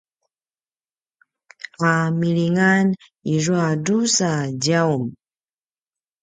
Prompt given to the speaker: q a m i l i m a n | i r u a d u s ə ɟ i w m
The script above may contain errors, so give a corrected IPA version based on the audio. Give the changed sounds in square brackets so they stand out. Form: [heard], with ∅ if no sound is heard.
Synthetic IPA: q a m i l i [ŋ] a n | i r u a d u s [a] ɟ [a] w m